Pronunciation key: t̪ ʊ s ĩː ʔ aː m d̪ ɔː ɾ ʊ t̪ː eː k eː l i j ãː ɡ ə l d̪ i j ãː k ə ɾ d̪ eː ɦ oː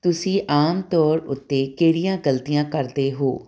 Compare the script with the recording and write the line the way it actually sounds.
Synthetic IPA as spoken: t̪ ʊ s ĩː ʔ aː m t̪ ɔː ɾ ʊ t̪ː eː k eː ɽ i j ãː ɡ ə l t̪ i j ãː k ə ɾ d̪ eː ɦ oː